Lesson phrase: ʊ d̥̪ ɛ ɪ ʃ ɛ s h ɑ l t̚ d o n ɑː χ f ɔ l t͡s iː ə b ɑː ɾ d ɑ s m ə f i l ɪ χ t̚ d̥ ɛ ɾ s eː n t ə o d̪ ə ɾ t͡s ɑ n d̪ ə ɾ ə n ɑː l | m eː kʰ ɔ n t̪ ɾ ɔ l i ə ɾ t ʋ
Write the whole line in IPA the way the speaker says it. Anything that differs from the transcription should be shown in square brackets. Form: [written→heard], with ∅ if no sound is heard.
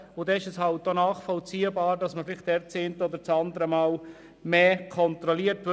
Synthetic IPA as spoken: ʊ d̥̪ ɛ ɪ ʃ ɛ s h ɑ l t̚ d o n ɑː χ f ɔ l t͡s iː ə b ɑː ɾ d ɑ s m ə f [i→ɪ] l ɪ χ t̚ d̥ ɛ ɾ [s→t͡s] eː n t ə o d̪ ə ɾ t͡s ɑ n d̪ ə ɾ ə [n→m] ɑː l | m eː kʰ ɔ n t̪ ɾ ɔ l i ə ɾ t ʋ

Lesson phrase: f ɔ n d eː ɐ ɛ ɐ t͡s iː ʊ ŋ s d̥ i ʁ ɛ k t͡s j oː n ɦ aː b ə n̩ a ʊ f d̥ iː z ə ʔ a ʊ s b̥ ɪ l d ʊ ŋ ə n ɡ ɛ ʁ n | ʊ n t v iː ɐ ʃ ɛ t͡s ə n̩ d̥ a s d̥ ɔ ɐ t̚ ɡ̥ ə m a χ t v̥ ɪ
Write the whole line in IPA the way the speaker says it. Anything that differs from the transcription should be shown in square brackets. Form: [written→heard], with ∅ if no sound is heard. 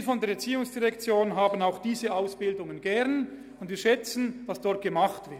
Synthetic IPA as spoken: f ɔ n d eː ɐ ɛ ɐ t͡s iː ʊ ŋ s d̥ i ʁ ɛ k t͡s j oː n ɦ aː b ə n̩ a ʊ [f→x] d̥ iː z ə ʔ a ʊ s b̥ ɪ l d ʊ ŋ ə n ɡ ɛ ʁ n | ʊ n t v iː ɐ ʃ ɛ t͡s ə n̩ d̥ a s d̥ ɔ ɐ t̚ ɡ̥ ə m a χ t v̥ ɪ

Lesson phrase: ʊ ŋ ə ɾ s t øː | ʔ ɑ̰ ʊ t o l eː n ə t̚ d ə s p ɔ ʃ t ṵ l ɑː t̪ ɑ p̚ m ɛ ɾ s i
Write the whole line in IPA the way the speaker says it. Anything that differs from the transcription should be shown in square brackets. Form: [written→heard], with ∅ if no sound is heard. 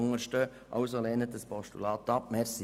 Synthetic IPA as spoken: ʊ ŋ ə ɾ [s→ʃ] t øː | ʔ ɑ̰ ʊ [t→s] o l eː n ə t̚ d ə s p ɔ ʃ t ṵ l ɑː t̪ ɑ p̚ m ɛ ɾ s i

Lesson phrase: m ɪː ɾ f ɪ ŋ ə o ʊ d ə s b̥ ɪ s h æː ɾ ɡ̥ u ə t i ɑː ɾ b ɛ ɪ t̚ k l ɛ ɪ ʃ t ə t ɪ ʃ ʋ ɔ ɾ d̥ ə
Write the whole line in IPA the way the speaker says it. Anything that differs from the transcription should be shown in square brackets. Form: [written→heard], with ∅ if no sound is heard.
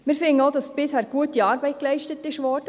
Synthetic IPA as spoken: m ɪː ɾ f ɪ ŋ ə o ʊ d [ə→ɑ] s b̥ ɪ s h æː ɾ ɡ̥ u ə t i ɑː ɾ b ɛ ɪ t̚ k l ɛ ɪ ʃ t ə t ɪ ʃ ʋ ɔ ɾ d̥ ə

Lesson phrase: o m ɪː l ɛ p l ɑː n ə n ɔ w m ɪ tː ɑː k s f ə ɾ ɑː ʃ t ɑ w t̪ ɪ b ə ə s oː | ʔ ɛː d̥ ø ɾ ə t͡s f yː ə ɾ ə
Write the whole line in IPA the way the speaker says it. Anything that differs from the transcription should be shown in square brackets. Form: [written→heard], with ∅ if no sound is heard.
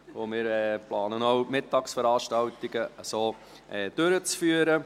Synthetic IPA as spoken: o m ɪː [l→ɾ] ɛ p l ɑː n ə n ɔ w m ɪ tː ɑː k s f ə ɾ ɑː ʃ t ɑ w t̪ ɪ [b→ɡ] ə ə s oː | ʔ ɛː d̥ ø ɾ ə t͡s f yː ə ɾ ə

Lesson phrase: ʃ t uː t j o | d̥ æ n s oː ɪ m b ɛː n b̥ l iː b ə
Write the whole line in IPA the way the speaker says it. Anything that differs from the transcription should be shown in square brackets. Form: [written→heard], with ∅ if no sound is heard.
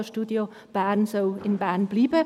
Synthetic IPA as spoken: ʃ t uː [t→d] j o | [d̥→b̥] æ n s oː ɪ [m→n] b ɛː n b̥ l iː b ə

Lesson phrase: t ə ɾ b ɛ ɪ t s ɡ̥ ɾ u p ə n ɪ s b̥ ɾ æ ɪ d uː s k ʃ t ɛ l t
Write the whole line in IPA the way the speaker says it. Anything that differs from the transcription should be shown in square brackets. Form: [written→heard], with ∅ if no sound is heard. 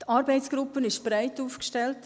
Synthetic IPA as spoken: t [ə→ɑ] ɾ b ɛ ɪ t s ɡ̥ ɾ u p ə n ɪ [s→ʃ] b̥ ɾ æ ɪ [d→t] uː [s→f] k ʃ t ɛ l t

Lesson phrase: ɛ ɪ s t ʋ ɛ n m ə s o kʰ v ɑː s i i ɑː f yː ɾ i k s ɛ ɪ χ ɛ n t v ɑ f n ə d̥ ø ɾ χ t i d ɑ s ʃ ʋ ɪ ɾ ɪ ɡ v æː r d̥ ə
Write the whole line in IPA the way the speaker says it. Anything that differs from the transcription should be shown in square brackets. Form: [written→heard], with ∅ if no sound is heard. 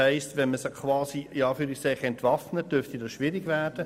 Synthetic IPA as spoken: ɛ ɪ s t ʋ ɛ n m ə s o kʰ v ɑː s i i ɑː f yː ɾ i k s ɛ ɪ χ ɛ n t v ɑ f n ə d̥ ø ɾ [χ→f] t i d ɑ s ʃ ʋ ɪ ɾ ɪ ɡ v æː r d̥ ə

